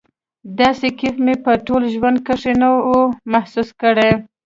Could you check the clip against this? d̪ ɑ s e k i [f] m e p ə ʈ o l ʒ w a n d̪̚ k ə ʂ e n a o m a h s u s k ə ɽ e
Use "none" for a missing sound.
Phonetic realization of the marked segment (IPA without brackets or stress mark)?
f